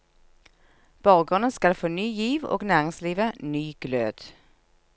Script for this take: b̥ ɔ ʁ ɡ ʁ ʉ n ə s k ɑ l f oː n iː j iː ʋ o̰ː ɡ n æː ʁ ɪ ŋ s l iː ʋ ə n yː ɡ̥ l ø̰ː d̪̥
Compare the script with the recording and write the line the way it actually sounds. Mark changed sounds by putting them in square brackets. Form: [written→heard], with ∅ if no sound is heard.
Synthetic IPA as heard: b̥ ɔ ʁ ɡ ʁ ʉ n ə s k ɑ l f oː n [iː→yː] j iː ʋ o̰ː ɡ n æː ʁ ɪ ŋ s l iː ʋ ə n yː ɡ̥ l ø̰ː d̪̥